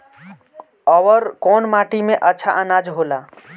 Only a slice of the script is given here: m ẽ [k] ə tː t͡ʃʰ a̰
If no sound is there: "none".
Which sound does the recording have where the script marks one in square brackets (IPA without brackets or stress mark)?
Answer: ʔ